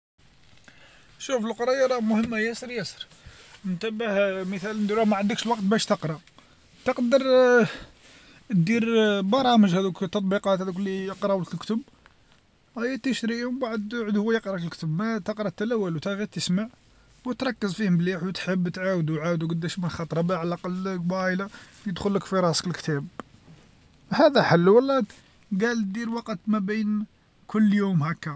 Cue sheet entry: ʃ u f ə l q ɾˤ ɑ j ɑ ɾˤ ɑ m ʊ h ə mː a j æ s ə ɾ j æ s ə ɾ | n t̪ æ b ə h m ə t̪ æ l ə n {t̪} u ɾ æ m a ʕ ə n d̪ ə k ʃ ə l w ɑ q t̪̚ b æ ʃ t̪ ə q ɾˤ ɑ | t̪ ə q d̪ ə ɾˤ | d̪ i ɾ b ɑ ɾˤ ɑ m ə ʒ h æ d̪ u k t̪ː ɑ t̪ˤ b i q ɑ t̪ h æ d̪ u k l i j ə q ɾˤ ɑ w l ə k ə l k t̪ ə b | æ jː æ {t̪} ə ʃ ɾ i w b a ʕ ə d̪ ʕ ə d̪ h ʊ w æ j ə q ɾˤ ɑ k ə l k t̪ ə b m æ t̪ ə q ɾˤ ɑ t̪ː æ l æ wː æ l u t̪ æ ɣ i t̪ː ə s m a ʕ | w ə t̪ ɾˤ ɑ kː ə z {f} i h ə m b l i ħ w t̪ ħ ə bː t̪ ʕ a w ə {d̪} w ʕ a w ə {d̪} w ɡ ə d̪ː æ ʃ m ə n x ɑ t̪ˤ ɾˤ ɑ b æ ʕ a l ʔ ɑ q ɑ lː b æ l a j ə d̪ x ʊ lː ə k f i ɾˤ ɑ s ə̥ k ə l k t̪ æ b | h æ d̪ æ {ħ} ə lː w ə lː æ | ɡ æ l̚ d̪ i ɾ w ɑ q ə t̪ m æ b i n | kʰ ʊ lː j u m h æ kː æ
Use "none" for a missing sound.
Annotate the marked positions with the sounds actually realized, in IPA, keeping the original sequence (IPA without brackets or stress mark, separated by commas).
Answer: d̪, t̪, f, d̪, d̪, ħ